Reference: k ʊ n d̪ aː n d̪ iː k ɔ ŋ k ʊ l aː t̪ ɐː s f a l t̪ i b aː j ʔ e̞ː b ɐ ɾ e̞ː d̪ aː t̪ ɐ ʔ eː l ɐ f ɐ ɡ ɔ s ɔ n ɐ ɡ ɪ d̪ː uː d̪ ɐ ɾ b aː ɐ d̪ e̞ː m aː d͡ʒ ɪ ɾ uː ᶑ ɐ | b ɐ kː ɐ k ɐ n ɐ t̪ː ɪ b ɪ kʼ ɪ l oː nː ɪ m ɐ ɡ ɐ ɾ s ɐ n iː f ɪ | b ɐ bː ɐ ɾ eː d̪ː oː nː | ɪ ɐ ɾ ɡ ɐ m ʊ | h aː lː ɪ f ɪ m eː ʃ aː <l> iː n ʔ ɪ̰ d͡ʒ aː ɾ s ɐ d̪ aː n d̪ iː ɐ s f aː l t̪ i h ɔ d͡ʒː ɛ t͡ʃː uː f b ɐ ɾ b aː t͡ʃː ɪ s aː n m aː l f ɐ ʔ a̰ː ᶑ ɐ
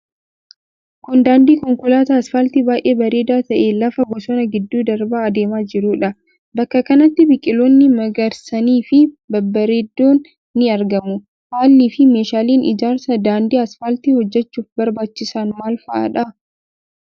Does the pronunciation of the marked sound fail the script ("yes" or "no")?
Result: no